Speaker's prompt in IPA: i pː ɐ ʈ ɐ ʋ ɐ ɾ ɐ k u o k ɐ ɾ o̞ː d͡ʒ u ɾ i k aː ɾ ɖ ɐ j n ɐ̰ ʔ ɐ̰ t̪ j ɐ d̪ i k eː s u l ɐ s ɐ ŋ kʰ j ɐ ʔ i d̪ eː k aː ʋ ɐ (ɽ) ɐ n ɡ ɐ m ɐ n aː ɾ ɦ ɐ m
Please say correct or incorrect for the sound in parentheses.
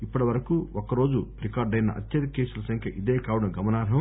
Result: correct